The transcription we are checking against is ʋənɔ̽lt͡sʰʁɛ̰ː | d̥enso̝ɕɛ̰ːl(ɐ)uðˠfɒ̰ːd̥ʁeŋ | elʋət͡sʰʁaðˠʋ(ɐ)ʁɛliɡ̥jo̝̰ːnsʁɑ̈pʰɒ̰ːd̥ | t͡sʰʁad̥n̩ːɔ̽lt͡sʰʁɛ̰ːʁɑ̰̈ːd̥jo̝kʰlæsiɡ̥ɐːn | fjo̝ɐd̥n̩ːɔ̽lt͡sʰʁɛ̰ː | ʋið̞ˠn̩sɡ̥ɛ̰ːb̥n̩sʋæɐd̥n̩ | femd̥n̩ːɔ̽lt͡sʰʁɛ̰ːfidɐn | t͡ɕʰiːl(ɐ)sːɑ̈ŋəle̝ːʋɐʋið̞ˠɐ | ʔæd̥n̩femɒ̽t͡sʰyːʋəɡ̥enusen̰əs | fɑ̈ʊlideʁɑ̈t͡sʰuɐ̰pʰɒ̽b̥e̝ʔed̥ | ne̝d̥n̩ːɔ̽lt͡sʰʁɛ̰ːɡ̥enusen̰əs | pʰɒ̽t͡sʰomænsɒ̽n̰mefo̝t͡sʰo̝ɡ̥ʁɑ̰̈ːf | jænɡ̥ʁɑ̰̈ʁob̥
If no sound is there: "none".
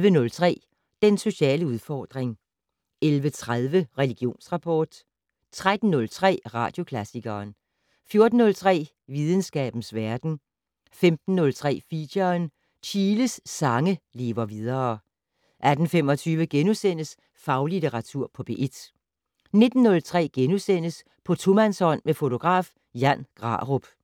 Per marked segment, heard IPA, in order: ə, ə, ə

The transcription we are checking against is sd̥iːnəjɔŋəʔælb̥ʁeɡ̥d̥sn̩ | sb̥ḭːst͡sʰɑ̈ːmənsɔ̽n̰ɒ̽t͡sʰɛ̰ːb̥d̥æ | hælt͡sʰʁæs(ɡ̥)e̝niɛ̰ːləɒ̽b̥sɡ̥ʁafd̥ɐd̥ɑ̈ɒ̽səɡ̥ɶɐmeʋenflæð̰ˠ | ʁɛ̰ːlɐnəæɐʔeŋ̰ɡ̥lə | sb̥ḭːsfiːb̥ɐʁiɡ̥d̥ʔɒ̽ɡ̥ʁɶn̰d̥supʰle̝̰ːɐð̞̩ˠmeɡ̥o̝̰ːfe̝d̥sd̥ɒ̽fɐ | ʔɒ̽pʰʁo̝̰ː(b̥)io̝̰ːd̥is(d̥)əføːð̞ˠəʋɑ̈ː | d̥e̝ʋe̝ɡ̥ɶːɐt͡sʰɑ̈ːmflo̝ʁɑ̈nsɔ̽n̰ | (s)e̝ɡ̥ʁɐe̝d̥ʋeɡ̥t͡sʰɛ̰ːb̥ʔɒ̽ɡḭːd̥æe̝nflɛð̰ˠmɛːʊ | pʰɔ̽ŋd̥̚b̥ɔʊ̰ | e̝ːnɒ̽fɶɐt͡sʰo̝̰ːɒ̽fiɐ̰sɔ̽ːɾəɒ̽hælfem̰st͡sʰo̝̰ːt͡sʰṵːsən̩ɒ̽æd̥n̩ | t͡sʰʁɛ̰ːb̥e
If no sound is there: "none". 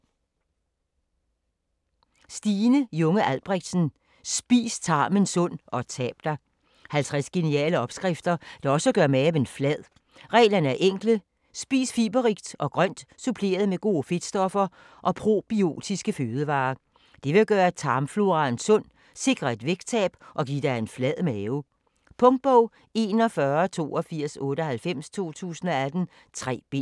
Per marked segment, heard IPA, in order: ɡ̥, b̥, ɡ̥, s

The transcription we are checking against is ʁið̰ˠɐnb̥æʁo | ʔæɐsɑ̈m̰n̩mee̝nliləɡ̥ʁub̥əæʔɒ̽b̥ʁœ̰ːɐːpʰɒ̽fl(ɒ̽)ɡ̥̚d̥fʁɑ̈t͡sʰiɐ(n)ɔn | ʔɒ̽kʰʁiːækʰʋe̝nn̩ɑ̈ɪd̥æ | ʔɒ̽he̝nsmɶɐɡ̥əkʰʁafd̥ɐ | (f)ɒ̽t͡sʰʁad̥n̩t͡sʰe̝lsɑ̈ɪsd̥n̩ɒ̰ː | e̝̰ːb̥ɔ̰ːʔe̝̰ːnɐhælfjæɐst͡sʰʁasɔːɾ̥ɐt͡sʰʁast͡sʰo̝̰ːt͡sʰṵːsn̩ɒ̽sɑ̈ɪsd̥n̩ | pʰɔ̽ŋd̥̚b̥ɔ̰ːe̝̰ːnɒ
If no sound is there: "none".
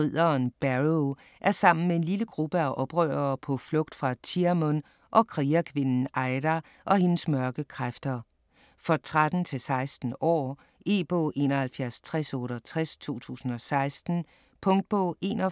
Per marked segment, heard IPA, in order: ɔ̽, m, f

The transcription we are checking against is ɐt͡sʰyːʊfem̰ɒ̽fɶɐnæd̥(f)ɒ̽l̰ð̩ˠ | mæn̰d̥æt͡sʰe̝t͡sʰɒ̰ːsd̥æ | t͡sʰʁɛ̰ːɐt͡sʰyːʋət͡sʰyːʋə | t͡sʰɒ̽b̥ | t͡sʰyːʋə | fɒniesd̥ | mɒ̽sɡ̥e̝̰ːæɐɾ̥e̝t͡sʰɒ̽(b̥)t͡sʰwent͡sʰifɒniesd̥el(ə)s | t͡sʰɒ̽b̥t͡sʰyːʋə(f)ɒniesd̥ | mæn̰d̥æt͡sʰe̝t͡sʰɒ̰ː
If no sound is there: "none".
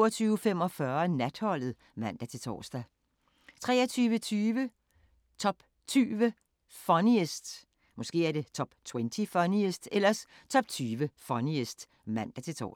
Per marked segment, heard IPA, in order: h, b̥, ɐ, f

